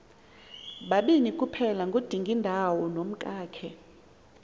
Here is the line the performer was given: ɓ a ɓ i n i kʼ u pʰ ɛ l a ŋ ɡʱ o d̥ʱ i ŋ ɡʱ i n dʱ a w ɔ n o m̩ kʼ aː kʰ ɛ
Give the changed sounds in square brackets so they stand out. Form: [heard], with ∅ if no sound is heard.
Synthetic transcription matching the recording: ɓ a ɓ i n i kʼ u pʰ ɛ l a ŋ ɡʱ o d̥ʱ i ŋ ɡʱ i n dʱ a w ɔ n o m̩ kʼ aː kʰ ɛ